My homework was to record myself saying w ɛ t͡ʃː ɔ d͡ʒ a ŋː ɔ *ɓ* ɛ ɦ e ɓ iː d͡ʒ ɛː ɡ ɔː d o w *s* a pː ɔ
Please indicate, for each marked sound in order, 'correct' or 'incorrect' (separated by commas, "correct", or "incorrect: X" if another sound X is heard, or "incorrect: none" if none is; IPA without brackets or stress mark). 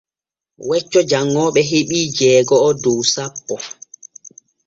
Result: correct, correct